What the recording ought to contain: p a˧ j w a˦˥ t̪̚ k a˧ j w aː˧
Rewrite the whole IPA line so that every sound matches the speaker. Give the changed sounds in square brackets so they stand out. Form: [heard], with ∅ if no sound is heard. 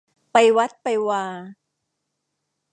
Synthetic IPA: p a˧ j w a˦˥ t̪̚ [p] a˧ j w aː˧